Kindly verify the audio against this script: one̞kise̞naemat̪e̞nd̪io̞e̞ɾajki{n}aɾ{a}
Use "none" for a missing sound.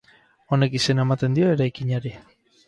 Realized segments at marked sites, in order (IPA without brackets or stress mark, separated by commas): ɲ, i